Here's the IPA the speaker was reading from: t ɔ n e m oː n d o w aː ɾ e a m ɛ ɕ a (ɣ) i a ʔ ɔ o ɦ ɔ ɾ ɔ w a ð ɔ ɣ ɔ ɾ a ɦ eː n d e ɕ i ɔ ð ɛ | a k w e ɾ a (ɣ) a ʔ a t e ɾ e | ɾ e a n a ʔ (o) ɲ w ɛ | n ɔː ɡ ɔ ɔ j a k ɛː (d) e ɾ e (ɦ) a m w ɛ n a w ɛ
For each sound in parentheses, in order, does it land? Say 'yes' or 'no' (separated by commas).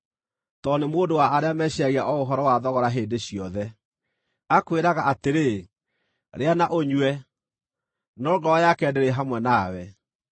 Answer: yes, yes, yes, yes, yes